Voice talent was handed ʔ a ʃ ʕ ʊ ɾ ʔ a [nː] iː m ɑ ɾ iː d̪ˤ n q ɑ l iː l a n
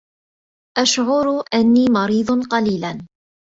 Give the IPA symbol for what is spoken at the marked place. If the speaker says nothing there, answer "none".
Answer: nː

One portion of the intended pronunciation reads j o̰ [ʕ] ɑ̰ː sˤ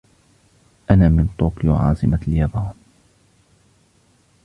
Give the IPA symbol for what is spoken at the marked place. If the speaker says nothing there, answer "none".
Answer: ʕ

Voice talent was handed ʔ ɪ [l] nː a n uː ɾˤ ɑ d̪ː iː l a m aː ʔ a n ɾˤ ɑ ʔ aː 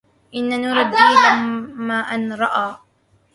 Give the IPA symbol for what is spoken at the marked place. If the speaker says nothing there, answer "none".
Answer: none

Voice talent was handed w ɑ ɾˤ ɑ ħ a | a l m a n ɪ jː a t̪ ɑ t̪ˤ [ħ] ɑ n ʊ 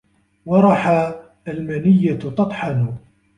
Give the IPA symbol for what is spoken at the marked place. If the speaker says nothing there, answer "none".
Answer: ħ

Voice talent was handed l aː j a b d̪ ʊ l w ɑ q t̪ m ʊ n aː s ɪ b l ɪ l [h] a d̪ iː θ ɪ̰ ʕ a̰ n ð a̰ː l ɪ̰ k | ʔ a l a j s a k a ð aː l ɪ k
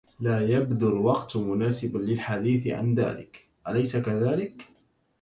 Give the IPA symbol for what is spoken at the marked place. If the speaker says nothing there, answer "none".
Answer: ħ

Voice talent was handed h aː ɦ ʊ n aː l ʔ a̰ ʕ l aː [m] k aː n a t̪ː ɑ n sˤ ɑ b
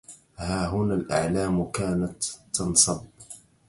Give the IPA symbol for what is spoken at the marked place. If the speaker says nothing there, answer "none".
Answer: m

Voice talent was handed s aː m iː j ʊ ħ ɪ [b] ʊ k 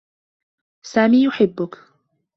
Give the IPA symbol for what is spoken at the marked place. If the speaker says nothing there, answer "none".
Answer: bː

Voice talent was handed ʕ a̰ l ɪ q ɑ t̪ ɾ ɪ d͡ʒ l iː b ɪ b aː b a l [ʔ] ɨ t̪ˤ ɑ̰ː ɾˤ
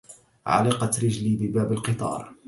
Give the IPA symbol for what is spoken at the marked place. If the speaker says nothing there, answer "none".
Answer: q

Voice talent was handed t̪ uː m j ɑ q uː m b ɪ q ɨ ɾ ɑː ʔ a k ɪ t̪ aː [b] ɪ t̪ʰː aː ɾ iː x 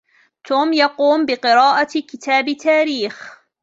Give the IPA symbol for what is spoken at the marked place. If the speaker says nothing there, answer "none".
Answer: b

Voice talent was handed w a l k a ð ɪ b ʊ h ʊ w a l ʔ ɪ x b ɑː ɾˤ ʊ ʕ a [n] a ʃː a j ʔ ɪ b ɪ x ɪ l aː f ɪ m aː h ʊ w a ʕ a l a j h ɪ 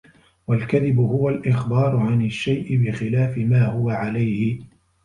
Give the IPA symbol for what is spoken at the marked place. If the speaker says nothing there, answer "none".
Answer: n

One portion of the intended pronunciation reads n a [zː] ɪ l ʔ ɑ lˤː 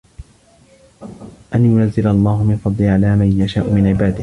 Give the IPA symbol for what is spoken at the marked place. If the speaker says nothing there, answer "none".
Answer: zː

